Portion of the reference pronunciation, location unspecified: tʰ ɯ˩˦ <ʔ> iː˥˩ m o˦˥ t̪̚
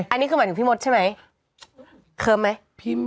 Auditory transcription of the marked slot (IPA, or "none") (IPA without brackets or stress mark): p